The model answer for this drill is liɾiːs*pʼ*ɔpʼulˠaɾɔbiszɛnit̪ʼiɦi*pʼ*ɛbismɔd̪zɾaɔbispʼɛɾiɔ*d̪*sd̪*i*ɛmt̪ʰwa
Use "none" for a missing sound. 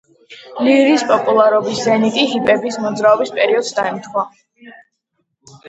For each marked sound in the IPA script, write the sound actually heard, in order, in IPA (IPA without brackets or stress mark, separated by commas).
pʼ, pʼ, d̪, a